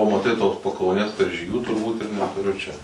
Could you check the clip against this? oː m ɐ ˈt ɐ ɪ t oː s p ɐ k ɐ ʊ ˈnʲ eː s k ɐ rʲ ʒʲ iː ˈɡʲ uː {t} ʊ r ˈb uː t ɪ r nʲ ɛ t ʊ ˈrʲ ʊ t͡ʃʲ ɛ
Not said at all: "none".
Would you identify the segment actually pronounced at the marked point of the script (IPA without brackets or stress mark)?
t